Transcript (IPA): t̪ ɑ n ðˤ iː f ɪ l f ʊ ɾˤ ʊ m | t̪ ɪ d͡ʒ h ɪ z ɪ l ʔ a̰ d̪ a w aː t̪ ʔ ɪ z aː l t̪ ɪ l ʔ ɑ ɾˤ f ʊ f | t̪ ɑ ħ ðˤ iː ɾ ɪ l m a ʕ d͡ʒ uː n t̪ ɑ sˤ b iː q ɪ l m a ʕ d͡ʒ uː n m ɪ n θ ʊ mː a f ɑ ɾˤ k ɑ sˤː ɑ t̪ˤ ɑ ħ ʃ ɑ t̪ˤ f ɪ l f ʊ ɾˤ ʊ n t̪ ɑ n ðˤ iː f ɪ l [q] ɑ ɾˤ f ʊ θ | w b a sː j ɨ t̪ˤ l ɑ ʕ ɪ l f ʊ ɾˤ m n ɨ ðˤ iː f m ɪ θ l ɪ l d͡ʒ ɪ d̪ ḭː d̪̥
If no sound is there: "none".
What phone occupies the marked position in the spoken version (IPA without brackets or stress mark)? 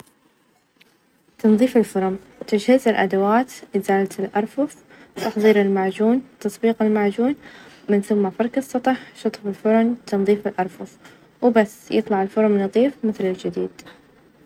ʔ